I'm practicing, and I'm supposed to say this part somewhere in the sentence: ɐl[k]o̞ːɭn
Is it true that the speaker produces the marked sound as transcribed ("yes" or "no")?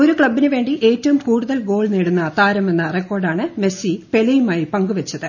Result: no